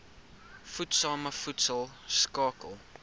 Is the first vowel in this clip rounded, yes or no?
yes